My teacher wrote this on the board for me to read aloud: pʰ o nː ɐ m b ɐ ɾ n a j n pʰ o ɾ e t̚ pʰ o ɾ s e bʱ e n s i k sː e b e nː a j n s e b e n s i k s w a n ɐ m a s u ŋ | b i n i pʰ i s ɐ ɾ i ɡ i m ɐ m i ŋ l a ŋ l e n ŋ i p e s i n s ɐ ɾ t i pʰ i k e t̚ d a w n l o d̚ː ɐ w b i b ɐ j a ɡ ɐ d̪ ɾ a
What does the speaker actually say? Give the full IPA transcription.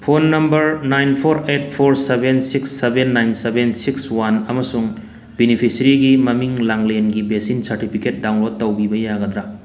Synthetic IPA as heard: pʰ o nː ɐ m b ɐ ɾ n a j n pʰ o ɾ e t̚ pʰ o ɾ s e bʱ e n s i k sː e b e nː a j n s e b e n s i k s w a n ɐ m ɐ s u ŋ | b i n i pʰ i s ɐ ɾ i ɡ i m ɐ m i ŋ l a ŋ l e n ɡ i b e s i n s ɐ ɾ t i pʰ i k e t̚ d a w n l o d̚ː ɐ w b i b ɐ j a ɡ ɐ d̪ ɾ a